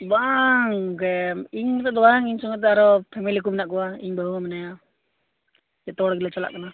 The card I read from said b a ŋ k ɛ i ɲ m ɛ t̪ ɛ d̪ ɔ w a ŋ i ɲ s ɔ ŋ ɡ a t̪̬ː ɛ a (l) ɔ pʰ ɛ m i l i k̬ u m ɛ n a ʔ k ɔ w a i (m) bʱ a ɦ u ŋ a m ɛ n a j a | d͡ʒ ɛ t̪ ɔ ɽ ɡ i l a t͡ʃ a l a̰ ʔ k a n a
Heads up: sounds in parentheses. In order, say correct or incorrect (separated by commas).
incorrect, incorrect